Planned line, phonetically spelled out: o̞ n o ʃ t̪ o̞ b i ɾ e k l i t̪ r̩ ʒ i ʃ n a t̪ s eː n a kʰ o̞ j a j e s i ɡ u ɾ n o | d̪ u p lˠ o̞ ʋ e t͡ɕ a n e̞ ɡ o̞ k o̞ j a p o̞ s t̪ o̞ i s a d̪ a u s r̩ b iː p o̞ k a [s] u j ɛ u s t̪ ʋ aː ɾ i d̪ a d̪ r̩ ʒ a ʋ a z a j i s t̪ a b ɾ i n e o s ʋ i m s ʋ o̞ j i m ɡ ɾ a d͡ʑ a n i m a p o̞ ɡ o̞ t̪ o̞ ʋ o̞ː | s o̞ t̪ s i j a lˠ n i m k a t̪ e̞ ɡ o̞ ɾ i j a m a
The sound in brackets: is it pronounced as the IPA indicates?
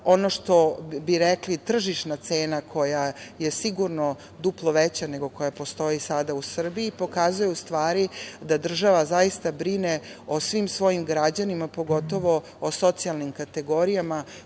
no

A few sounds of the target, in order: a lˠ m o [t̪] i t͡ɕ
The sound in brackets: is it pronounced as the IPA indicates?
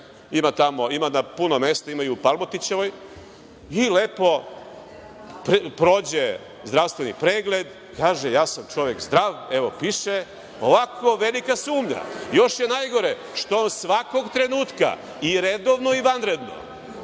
yes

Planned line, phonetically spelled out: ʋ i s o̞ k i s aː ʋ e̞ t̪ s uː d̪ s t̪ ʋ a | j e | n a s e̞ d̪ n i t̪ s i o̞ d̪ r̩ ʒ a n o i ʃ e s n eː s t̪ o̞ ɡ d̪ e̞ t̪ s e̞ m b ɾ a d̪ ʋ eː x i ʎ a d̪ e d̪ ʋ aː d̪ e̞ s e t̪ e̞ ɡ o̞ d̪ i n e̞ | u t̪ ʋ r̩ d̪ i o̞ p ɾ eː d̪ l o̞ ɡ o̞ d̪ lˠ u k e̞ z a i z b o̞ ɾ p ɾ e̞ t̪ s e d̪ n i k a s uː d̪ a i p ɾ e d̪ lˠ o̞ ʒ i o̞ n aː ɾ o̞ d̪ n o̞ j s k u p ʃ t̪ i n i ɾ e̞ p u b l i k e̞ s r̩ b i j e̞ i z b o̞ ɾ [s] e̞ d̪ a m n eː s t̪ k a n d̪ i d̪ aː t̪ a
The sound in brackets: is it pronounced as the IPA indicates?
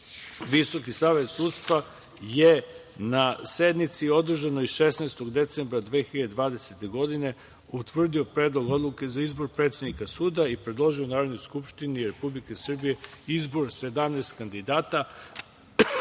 yes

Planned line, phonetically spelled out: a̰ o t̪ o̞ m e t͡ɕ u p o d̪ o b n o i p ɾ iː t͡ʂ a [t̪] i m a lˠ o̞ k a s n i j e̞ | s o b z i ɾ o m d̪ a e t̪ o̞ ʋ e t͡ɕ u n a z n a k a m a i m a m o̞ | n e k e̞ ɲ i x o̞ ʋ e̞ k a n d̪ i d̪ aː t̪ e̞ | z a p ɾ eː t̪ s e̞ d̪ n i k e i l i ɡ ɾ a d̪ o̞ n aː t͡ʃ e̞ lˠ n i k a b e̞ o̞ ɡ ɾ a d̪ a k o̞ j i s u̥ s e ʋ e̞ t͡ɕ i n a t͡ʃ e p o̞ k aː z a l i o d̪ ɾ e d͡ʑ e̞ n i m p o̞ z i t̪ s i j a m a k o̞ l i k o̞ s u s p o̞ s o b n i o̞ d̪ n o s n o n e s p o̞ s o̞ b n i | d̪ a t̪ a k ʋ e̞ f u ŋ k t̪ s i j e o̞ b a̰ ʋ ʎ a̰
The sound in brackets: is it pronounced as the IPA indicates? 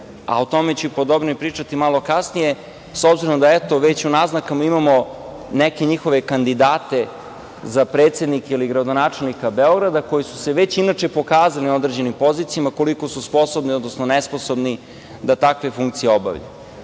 yes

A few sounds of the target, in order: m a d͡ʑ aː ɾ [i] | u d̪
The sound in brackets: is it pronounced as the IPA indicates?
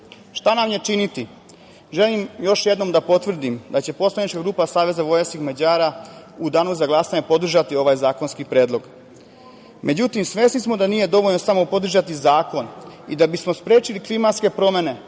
no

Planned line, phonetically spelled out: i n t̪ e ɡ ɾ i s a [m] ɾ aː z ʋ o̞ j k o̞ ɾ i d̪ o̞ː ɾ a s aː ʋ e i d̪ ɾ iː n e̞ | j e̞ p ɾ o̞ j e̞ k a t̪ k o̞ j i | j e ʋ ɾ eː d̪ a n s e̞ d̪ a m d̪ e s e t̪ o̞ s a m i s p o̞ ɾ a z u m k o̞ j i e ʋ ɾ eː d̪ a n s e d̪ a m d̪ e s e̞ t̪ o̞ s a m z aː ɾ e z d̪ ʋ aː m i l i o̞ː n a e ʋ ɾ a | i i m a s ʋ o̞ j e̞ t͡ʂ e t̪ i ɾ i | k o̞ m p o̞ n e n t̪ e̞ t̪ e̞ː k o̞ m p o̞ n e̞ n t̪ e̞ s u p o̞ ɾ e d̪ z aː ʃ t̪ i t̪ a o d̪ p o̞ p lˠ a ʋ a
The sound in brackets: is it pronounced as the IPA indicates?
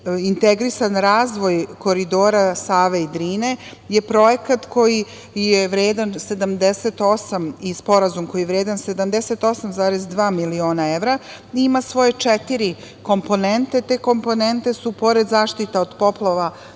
no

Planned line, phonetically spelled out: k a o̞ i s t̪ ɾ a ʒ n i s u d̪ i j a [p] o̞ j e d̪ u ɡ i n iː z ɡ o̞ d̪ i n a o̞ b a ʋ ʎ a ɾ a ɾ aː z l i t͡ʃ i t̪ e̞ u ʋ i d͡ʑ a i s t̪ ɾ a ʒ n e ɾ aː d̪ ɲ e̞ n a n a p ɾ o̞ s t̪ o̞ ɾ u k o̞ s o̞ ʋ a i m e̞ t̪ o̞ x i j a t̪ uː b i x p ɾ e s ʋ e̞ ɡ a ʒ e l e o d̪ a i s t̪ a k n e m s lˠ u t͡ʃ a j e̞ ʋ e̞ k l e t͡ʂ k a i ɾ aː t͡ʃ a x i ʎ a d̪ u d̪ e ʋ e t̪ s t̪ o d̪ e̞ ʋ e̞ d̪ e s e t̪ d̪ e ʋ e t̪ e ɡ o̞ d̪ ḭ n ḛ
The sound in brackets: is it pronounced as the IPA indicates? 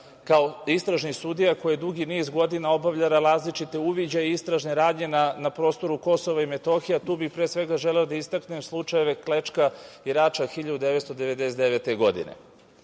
no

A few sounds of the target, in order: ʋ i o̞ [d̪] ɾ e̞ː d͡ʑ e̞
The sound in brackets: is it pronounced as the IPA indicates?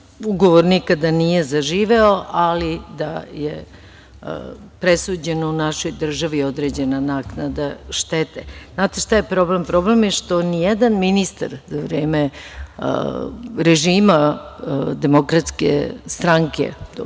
yes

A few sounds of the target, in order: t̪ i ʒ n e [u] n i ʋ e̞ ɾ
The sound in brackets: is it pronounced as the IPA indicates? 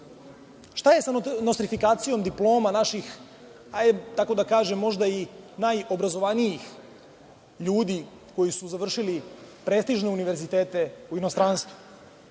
yes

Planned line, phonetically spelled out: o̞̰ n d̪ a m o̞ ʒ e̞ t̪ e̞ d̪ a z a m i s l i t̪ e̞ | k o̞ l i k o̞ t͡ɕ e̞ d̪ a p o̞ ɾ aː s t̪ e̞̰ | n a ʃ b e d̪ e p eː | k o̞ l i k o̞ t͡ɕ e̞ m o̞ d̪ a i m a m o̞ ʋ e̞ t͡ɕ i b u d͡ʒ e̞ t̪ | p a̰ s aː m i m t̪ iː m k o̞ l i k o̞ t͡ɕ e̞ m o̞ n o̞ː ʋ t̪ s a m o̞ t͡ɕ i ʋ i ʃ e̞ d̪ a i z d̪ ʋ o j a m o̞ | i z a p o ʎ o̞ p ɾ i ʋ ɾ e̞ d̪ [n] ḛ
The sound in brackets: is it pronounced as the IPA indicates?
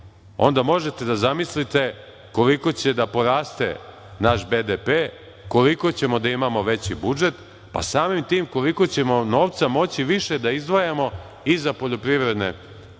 yes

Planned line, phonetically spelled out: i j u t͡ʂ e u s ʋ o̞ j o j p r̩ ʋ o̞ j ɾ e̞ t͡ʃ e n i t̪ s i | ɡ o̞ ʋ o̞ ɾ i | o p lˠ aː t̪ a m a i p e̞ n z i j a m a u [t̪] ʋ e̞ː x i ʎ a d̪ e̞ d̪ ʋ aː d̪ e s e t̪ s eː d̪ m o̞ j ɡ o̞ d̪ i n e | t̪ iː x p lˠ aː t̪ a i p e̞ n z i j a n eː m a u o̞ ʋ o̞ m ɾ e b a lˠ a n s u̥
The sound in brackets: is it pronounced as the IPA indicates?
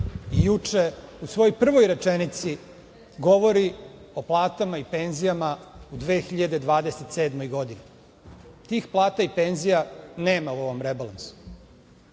no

